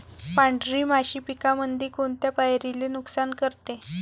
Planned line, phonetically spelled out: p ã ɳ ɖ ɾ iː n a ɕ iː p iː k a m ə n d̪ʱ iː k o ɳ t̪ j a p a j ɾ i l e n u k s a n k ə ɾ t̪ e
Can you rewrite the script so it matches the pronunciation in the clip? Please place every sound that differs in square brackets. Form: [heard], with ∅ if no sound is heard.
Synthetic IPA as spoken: p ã ɳ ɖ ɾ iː [m] a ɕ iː p [i] k a m ə n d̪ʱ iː k o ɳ t̪ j a p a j ɾ i l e n u k s a n k ə ɾ t̪ e